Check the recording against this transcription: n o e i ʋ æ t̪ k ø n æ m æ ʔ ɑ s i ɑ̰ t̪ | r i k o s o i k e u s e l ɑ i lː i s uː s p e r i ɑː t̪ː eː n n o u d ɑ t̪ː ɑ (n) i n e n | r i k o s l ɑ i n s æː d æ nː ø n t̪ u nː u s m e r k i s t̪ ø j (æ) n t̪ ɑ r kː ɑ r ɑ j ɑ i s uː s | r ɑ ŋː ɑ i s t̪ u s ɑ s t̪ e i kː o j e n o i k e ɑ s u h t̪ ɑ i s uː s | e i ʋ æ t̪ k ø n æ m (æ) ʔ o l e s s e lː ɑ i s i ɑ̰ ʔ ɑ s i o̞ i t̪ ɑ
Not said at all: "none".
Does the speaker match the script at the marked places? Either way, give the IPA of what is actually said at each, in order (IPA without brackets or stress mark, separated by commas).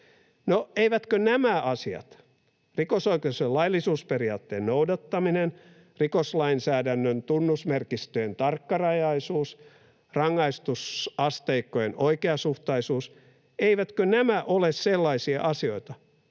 m, e, æ